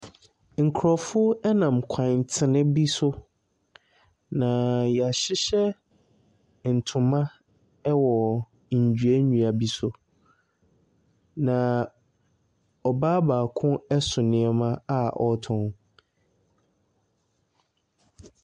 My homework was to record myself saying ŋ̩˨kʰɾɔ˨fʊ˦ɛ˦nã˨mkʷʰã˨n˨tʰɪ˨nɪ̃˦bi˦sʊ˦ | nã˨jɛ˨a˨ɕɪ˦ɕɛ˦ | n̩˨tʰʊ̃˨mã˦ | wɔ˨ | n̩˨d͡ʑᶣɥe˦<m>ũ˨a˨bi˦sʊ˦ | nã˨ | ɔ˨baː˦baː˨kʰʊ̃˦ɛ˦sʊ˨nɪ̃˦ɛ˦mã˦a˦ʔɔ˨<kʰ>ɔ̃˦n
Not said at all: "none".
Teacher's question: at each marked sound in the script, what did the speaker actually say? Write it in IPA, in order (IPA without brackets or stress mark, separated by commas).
ɲ, tʰ